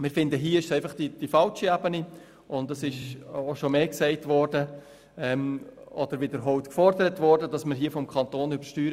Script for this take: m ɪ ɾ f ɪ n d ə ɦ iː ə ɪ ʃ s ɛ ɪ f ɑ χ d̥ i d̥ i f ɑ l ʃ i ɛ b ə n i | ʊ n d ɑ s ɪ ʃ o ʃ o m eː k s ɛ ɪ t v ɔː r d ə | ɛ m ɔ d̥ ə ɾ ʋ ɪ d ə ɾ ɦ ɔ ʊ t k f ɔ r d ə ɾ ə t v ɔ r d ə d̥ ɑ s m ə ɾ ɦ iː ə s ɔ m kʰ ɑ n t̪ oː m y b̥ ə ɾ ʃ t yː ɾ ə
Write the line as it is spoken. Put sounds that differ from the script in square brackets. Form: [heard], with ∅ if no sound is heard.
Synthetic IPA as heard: m ɪ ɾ f ɪ n d ə ɦ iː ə ɪ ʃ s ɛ ɪ f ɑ χ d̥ i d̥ i f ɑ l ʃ i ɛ b ə n i | ʊ n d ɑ s ɪ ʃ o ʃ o m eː k s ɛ ɪ t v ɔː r d ə | ɛ m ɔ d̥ ə ɾ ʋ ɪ d ə ɾ ɦ ɔ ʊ t k f ɔ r d ə ɾ ə t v ɔ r d ə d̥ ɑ s m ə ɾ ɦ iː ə [f] ɔ m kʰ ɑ n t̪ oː [n] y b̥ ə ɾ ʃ t yː ɾ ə